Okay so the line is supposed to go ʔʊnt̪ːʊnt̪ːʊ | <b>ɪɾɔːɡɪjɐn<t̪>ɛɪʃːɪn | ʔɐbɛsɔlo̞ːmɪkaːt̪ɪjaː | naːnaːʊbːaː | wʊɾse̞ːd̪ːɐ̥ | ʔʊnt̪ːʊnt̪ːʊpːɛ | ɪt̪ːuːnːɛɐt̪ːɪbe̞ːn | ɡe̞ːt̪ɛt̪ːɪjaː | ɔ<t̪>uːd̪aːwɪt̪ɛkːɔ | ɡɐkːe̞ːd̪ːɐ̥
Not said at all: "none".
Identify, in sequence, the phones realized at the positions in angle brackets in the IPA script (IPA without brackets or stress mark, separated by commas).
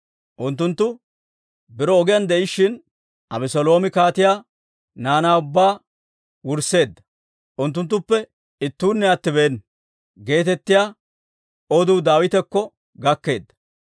b, d̪, d̪